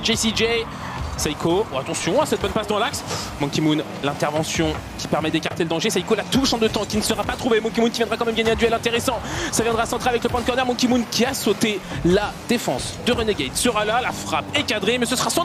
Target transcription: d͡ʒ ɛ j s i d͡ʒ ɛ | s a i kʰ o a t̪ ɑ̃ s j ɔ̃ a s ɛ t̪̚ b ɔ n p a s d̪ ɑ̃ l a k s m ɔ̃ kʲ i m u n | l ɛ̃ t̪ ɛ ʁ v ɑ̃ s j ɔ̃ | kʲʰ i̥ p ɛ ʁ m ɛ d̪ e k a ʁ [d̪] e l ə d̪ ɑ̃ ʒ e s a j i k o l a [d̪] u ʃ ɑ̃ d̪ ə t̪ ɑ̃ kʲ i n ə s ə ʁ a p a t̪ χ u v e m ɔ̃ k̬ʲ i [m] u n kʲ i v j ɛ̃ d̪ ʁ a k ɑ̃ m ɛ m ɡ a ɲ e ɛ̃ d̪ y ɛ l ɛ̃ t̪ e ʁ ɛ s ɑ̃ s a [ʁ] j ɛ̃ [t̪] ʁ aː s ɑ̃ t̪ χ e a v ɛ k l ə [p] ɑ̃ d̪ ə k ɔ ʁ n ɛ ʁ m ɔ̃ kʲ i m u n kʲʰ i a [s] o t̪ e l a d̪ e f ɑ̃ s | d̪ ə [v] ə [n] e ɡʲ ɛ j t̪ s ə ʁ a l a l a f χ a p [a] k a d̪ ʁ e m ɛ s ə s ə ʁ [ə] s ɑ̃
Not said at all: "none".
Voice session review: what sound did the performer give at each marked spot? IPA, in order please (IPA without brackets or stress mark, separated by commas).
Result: t̪, t̪, m, v, d̪, p, s, ʁ, n, e, a